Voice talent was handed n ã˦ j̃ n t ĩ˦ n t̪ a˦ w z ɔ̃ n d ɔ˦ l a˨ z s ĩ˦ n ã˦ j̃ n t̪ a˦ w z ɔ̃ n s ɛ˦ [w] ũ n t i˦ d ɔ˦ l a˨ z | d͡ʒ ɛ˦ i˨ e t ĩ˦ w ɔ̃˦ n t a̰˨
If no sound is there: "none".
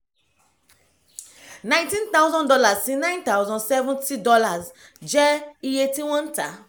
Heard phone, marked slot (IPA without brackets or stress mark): v